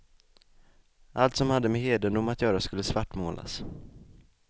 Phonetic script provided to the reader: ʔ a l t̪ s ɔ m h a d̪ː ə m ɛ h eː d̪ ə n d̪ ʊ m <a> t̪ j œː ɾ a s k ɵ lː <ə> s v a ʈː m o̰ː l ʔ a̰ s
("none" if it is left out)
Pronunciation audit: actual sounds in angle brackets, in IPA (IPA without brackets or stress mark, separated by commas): a, ə